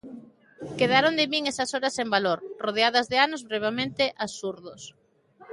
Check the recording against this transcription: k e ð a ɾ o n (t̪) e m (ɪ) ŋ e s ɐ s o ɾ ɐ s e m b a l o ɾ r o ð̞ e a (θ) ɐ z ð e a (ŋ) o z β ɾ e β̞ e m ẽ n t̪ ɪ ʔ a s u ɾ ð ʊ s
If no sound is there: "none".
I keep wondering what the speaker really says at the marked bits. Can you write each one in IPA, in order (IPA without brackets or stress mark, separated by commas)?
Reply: d̪, i, ð, n